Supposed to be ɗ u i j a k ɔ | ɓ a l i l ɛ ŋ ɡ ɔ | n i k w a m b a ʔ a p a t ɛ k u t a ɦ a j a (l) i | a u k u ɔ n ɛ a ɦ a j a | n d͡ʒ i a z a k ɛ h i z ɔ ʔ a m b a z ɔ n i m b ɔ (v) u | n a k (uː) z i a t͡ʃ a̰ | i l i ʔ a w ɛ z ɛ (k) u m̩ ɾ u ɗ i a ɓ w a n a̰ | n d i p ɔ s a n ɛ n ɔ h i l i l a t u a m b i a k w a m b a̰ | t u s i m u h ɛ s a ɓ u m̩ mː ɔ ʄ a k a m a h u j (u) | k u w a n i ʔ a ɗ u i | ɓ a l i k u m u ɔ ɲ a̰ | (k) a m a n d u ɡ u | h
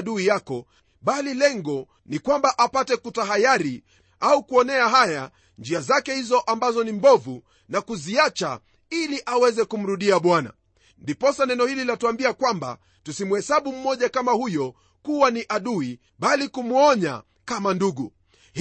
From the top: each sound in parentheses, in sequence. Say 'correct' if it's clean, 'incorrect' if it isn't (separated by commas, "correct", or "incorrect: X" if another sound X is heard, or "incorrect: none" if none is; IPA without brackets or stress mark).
incorrect: ɾ, correct, incorrect: u, correct, incorrect: ɔ, correct